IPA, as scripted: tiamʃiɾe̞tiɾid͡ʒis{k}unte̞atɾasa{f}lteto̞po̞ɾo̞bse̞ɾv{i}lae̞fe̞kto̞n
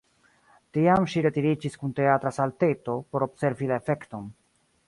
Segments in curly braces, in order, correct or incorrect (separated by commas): correct, incorrect, correct